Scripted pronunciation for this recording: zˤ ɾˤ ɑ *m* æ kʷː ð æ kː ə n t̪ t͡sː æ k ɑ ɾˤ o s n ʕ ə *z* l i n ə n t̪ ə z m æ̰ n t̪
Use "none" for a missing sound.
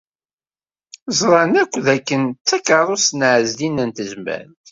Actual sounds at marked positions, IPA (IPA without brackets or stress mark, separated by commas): n, z